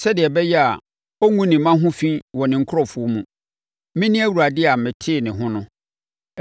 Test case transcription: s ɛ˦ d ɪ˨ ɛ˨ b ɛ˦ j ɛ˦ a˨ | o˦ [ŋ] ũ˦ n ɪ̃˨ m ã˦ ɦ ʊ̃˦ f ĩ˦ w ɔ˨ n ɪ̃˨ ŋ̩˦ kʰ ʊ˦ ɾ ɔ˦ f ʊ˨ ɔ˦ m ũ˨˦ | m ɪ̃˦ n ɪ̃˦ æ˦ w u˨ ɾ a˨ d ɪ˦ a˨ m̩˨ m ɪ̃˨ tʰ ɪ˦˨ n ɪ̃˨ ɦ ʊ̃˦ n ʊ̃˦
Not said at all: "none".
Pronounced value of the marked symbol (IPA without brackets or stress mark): ŋ